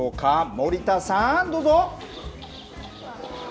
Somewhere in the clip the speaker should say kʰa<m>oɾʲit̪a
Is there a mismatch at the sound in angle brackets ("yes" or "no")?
no